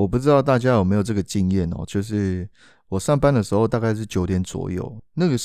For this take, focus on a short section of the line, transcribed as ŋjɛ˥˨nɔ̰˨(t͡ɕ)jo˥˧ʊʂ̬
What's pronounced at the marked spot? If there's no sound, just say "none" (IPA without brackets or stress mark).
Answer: t͡ɕ